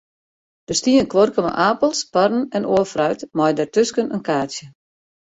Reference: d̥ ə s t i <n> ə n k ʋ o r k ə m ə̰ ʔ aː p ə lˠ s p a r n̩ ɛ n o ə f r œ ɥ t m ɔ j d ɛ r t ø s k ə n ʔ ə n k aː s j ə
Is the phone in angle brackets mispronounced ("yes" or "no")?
yes